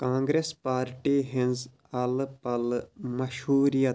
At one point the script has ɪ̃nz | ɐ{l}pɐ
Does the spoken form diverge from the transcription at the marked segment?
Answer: no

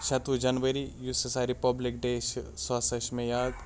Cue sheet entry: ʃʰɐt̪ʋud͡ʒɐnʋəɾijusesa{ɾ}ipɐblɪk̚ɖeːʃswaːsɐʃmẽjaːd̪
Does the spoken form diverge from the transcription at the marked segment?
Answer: no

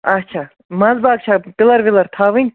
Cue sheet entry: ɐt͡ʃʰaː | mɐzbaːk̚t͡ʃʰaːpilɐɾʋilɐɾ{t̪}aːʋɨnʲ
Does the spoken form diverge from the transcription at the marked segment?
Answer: yes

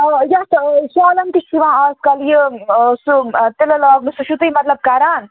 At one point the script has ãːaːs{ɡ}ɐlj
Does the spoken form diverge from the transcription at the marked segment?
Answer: yes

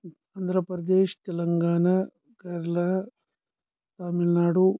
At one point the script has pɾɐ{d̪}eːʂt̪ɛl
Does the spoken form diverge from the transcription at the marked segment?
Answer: no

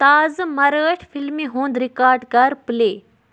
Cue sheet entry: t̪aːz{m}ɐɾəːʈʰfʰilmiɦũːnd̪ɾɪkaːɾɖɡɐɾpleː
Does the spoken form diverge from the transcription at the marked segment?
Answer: no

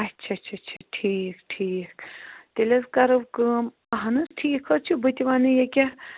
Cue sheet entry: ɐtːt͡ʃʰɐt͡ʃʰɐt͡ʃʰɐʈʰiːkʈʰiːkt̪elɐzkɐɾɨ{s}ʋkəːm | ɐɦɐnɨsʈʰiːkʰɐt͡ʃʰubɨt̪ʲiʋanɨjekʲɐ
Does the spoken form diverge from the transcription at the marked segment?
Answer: yes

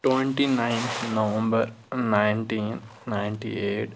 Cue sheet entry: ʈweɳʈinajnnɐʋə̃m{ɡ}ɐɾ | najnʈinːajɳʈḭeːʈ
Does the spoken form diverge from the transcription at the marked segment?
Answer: yes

